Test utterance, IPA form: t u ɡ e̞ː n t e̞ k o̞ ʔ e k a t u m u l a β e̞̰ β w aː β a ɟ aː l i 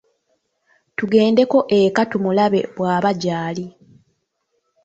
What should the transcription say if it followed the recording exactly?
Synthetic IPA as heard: t u ɡ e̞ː n d e̞ k o̞ ʔ e k a t u m u l a β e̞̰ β w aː β a ɟ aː l i